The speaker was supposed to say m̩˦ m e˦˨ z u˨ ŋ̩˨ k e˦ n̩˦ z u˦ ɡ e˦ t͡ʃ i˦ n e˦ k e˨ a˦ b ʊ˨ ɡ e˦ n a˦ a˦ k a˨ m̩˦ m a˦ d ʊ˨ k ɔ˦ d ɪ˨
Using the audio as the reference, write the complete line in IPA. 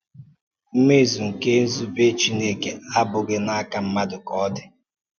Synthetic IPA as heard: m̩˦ m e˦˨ z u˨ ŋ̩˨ k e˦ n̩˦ z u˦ b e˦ t͡ʃ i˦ n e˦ k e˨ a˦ b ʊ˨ ɡ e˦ n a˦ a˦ k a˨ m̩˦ m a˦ d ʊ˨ k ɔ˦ d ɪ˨